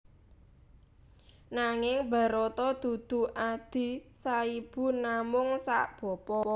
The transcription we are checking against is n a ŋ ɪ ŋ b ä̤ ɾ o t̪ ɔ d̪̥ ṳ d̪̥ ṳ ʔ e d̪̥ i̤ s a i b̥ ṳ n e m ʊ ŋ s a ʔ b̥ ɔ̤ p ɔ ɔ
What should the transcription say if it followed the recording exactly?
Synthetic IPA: n a ŋ ɪ ŋ b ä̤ ɾ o t̪ ɔ d̪̥ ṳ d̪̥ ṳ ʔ a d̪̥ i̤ s a i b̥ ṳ n a m ʊ ŋ s a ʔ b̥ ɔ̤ p ɔ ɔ